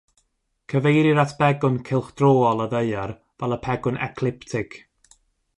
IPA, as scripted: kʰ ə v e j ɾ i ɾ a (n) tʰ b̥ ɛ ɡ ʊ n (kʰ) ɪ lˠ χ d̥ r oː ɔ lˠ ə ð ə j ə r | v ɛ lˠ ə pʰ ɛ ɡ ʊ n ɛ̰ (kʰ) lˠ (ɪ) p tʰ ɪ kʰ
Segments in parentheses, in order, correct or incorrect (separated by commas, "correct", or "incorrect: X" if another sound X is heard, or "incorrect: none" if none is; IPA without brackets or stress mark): incorrect: none, correct, correct, correct